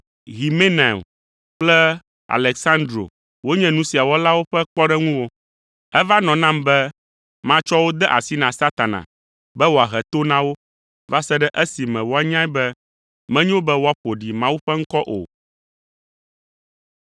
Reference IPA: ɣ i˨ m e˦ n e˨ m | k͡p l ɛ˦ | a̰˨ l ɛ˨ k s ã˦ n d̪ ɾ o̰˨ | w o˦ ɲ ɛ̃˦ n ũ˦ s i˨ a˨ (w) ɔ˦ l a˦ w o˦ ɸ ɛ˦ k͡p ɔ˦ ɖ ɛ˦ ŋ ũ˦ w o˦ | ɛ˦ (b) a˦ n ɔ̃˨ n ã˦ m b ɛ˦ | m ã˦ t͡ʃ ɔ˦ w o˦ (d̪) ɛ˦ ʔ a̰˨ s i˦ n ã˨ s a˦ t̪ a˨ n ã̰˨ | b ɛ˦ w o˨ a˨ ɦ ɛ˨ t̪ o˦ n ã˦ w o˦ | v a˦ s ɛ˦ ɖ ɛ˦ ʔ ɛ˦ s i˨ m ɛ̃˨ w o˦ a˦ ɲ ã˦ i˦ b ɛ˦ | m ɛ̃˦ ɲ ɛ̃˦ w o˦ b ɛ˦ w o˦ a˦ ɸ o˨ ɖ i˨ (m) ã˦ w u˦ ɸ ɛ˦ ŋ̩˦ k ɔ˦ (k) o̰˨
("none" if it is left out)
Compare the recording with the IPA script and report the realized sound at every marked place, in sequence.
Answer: w, v, d̪, m, ʔ

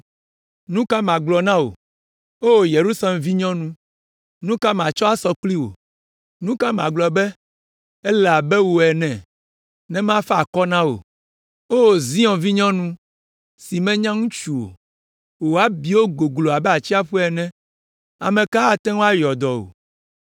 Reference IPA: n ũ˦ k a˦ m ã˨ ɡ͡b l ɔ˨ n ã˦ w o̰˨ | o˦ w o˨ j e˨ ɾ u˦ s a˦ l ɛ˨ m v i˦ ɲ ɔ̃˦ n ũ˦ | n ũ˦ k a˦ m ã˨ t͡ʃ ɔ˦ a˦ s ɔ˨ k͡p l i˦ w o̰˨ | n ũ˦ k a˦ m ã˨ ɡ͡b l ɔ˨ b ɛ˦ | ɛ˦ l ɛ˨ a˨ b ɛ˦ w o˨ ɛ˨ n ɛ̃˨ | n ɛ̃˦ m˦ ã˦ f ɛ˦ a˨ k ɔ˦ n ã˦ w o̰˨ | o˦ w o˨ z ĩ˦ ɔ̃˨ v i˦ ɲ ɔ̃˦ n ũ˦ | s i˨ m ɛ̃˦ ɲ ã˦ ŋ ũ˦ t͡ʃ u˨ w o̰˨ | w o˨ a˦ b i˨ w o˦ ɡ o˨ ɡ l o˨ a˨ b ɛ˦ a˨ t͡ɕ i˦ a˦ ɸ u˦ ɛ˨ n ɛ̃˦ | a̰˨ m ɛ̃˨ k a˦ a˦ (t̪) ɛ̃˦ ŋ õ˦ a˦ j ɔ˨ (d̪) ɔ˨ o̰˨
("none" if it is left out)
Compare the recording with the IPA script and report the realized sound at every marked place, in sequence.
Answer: t̪, d̪

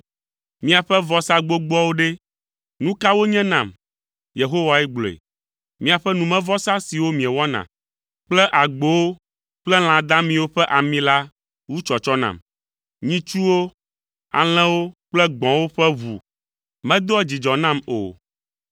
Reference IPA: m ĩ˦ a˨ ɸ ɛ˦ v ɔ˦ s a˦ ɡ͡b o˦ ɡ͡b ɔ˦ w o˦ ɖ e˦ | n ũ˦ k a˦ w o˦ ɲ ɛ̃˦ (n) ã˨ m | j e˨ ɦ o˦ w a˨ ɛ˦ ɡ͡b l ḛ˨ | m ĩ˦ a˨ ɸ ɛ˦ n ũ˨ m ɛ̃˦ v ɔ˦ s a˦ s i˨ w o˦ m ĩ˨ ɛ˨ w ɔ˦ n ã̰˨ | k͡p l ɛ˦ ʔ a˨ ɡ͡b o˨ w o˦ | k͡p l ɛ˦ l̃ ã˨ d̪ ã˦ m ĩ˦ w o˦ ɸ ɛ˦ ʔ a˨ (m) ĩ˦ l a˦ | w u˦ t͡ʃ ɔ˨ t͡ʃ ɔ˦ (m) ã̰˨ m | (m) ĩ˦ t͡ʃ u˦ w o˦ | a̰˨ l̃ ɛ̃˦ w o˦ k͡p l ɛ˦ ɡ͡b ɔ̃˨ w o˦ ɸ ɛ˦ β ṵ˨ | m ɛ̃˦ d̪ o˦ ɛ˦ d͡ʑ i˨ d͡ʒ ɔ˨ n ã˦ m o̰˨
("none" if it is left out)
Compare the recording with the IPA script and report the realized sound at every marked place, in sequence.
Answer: n, m, n, ɲ

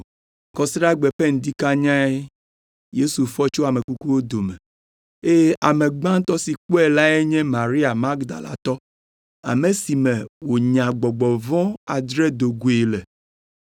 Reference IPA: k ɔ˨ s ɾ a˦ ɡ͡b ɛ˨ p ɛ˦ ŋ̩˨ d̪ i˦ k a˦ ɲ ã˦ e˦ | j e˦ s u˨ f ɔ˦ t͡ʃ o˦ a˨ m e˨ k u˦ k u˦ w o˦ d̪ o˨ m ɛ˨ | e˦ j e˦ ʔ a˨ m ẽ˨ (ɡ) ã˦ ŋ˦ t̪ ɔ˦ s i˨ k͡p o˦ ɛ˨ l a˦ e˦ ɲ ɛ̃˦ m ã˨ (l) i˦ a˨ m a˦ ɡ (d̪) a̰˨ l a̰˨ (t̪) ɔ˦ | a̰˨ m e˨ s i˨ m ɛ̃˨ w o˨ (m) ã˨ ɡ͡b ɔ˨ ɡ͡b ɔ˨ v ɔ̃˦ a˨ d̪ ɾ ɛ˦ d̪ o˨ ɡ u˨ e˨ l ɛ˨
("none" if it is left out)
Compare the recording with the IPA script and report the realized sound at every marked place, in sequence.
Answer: ɡ͡b, ɾ, d̪, t̪, ɲ

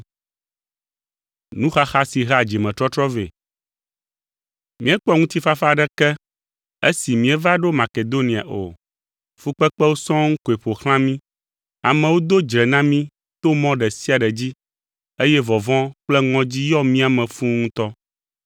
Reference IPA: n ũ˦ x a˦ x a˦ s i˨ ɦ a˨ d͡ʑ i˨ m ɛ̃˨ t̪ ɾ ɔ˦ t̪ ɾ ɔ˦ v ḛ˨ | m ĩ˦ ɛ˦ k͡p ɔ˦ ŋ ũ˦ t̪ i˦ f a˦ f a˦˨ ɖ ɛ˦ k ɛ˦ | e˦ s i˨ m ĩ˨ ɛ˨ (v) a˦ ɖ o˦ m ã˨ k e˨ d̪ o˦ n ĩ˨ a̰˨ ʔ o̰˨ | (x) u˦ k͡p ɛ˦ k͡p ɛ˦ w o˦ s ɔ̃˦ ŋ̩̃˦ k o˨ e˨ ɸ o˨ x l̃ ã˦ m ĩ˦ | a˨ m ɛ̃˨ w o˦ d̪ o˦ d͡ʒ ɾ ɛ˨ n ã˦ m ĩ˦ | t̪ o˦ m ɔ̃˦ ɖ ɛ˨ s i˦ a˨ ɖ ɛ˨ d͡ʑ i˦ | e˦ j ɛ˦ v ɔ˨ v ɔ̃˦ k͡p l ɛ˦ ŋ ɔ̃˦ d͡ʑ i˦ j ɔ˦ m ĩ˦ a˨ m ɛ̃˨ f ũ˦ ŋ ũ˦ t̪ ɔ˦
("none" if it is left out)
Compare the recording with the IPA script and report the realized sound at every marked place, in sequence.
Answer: v, f

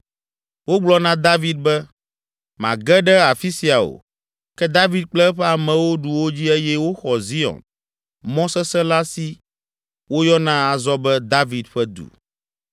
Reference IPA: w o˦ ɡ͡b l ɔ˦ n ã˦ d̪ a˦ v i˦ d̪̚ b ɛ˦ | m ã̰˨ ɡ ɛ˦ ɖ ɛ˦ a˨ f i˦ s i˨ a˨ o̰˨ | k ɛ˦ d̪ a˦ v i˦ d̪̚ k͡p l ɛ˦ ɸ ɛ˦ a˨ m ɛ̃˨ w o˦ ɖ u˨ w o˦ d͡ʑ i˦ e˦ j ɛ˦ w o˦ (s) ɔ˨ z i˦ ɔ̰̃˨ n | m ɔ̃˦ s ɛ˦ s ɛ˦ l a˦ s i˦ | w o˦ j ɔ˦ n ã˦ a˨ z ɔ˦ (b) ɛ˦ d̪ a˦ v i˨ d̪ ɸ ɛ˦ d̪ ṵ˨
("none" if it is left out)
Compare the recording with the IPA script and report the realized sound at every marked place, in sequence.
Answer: x, b

